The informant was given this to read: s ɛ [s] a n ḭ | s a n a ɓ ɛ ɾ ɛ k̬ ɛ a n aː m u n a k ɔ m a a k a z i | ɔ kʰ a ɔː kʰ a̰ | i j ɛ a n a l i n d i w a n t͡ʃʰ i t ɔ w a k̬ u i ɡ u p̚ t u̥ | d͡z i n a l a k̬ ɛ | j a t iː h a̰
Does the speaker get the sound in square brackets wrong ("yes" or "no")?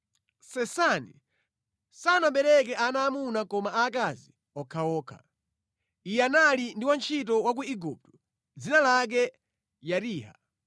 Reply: no